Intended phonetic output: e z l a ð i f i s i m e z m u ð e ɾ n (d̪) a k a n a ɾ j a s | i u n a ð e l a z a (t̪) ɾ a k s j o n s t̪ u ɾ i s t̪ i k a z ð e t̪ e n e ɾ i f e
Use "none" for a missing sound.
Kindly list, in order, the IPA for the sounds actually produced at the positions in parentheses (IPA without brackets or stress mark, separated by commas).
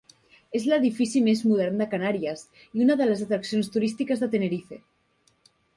d̪, t̪